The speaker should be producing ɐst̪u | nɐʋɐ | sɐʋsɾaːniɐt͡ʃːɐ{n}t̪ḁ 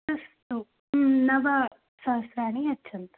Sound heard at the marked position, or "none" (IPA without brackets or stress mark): n